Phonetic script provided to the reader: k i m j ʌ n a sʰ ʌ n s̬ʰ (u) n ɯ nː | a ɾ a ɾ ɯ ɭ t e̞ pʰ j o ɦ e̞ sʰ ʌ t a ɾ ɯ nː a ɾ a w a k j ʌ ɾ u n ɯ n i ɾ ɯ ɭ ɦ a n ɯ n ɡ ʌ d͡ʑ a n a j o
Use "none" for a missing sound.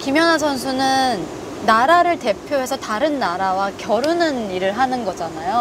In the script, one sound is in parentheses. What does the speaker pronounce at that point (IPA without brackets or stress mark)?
u